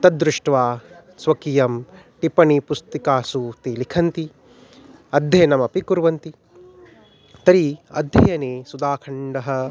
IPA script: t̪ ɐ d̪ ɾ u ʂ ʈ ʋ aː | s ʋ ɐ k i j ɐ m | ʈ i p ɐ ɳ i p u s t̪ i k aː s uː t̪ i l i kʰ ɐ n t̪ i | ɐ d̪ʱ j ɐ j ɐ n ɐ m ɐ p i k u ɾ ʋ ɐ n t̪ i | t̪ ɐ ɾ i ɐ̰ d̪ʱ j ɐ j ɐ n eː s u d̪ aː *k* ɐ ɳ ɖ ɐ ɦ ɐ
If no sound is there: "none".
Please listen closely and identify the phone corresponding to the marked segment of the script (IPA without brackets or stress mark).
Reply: kʰ